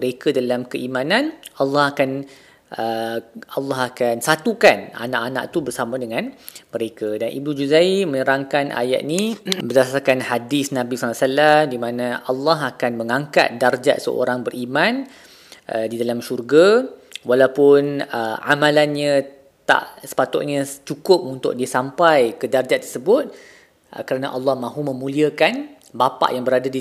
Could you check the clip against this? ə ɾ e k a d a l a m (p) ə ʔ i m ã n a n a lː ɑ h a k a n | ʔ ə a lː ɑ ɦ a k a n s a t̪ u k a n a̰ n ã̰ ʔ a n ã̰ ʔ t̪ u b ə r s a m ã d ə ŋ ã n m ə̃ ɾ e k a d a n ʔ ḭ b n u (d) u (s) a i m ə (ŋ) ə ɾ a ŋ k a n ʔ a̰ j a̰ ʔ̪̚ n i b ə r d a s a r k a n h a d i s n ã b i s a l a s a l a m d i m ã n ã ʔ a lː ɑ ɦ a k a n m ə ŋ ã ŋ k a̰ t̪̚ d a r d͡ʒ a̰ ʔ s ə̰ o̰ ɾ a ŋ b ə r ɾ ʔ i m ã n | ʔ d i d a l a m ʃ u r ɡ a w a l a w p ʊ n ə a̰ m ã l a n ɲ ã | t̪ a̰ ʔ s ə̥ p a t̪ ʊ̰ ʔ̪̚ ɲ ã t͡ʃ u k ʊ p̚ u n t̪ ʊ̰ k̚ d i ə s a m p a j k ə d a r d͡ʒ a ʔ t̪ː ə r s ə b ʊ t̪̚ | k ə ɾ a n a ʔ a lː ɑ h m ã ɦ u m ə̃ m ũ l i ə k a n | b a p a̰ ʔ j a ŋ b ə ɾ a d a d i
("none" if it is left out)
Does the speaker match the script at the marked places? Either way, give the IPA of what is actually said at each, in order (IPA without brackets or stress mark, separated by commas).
k, d͡ʒ, z, ɲ